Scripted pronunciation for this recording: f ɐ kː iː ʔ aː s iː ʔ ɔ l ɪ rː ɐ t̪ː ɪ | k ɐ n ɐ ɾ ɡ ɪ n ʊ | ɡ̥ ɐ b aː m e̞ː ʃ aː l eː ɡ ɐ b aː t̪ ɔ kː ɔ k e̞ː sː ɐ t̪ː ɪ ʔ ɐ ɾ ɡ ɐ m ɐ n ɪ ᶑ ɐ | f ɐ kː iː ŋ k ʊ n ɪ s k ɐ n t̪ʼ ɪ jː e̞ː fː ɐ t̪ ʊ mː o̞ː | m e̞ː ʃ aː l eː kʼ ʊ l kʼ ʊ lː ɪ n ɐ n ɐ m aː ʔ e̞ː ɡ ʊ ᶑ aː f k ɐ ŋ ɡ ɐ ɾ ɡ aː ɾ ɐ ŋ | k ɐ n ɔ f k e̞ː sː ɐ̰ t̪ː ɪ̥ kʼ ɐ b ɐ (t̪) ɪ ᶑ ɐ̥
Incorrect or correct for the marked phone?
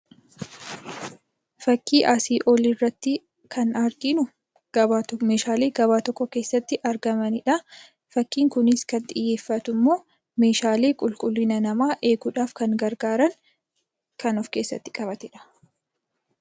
correct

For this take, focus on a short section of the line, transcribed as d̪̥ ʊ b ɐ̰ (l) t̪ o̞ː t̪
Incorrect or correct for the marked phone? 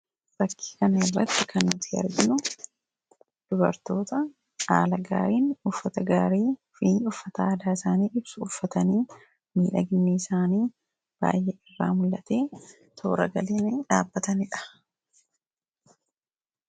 incorrect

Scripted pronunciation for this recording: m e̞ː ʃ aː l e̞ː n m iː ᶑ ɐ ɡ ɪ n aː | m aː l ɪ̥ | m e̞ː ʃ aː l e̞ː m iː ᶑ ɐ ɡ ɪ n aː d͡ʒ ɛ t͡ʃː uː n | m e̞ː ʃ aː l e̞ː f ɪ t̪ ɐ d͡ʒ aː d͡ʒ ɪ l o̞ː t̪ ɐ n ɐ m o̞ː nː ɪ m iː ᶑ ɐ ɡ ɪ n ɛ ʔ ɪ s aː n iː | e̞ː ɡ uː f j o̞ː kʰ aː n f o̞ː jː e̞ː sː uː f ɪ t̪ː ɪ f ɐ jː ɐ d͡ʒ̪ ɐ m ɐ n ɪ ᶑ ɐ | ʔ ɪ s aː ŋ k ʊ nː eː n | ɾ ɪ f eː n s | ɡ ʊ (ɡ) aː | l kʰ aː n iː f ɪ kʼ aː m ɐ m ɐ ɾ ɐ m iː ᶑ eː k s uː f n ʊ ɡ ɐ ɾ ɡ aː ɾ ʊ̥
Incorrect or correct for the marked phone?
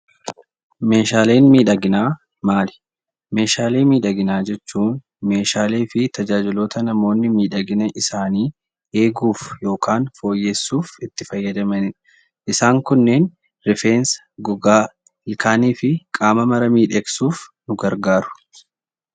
correct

